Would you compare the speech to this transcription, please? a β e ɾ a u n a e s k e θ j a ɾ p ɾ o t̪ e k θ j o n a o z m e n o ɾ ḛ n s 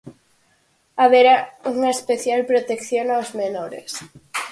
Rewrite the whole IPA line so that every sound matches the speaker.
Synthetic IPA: a β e ɾ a u ŋ a e s p e θ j a l p ɾ o t̪ e k θ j o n a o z m e n o ɾ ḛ s